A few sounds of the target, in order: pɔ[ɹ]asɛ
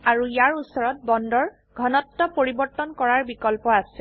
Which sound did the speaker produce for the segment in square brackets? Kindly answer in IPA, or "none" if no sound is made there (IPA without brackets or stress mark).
none